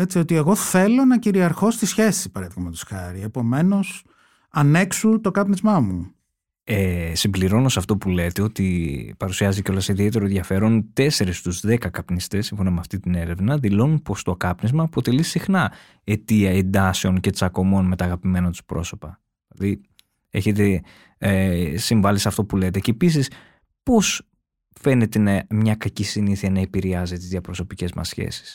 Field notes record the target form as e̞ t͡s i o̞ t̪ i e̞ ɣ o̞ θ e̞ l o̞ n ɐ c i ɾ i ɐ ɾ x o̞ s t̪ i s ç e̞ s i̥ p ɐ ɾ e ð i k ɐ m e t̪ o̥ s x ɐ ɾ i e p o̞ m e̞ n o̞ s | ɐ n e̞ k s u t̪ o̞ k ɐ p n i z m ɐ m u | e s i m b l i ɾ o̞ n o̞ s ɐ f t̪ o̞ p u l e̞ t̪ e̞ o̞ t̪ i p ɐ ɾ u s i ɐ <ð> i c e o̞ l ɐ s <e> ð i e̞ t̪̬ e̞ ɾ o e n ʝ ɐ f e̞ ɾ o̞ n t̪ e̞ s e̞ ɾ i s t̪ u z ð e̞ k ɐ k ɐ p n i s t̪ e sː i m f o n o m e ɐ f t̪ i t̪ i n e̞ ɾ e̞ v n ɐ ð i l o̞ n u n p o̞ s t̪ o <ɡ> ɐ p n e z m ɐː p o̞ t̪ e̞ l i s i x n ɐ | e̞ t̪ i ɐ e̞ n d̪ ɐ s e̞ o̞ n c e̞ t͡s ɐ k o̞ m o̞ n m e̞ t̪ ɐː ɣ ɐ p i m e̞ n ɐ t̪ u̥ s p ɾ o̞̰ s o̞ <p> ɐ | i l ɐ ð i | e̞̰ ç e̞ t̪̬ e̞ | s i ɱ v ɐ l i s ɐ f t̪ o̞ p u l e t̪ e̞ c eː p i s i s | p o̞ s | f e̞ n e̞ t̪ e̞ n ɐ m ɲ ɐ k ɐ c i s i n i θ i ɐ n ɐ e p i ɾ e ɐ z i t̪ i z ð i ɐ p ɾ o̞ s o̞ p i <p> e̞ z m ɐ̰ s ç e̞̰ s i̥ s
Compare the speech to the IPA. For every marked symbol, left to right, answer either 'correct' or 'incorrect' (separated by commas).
incorrect, incorrect, incorrect, correct, incorrect